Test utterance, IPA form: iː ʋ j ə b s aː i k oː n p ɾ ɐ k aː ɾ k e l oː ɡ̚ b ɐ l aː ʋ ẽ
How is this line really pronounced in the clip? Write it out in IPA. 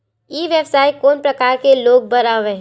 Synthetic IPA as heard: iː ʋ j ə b s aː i k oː n p ɾ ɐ k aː ɾ k e l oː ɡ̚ b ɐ ɾ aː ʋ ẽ